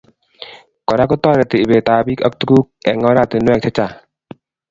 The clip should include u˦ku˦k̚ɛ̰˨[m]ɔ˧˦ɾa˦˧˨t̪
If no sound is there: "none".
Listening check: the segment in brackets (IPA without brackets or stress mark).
ŋ